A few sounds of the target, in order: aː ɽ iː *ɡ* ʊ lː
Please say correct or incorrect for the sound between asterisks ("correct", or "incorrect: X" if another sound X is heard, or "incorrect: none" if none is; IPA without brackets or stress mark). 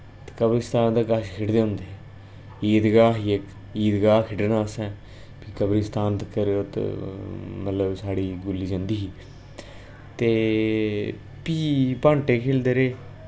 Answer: correct